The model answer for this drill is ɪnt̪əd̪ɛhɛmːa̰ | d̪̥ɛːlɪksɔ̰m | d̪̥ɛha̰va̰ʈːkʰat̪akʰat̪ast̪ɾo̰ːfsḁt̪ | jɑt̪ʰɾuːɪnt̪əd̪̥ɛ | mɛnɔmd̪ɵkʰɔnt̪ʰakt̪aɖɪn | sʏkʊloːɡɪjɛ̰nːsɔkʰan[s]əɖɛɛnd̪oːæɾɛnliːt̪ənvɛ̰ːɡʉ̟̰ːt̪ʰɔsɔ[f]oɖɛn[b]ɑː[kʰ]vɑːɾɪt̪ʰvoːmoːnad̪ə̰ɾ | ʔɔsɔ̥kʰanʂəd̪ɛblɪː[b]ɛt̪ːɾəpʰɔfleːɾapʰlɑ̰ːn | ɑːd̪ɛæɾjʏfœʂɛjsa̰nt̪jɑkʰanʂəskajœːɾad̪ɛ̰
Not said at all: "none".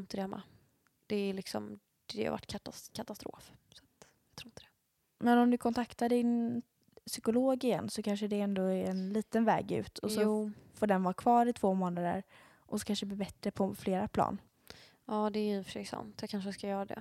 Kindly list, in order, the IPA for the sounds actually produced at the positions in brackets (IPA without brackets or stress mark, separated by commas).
ʂ, f, v, kʰ, b